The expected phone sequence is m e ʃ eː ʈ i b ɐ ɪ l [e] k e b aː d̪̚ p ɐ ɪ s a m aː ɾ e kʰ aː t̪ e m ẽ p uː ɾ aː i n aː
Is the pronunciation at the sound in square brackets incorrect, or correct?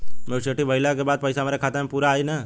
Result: incorrect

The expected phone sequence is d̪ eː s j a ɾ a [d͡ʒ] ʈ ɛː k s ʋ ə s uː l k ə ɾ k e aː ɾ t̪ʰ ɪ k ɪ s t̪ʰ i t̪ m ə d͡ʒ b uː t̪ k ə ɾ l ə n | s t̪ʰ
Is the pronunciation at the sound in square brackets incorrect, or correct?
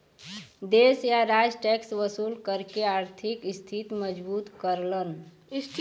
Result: correct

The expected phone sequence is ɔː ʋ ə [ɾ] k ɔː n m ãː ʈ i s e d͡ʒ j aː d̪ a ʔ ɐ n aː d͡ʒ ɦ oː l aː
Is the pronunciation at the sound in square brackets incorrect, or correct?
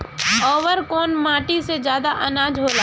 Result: correct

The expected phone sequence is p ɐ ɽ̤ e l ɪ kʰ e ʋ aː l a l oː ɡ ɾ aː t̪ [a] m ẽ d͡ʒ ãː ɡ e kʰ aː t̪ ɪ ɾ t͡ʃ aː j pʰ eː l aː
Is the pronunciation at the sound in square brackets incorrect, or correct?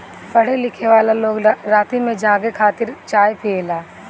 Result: incorrect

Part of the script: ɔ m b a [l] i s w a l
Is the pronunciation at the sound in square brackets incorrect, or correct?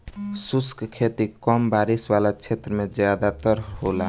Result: incorrect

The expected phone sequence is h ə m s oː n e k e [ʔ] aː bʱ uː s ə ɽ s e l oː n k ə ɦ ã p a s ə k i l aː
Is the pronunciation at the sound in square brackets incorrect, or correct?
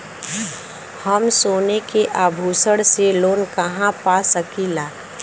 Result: correct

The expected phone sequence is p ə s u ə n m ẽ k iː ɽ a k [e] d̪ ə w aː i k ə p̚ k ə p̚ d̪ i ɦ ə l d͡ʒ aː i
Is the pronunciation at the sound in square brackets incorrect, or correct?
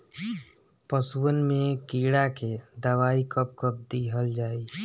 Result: correct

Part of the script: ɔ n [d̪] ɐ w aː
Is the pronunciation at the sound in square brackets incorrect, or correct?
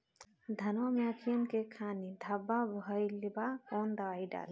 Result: correct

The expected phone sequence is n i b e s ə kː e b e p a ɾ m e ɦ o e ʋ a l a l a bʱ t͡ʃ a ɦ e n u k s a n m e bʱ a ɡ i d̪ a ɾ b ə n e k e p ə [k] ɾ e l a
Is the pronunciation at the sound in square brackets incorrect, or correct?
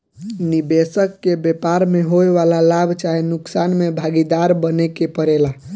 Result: incorrect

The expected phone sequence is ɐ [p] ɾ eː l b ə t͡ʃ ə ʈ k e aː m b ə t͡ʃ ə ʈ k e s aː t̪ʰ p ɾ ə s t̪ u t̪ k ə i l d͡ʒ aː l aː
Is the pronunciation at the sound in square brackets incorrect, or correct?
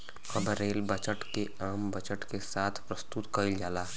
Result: incorrect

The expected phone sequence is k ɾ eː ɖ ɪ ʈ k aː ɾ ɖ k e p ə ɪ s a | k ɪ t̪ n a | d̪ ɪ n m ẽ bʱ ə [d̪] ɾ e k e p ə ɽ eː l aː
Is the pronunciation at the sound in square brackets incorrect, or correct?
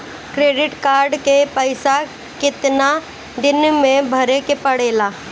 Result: incorrect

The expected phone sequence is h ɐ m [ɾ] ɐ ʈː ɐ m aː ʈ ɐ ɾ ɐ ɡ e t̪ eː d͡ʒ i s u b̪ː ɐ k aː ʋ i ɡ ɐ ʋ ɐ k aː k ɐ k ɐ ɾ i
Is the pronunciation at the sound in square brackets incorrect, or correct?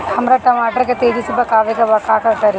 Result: correct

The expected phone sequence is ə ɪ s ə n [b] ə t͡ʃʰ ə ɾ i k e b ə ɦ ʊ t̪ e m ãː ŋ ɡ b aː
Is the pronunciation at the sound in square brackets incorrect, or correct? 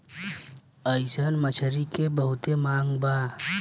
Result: incorrect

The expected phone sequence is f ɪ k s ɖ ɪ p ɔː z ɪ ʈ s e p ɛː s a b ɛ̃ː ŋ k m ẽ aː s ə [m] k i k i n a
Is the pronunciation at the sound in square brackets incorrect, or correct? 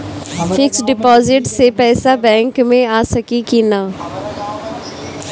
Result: incorrect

